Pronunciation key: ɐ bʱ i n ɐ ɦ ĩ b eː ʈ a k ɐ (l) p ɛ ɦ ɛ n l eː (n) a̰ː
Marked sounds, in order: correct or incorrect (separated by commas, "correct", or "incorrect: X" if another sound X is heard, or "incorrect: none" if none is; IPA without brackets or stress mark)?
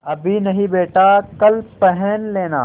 correct, correct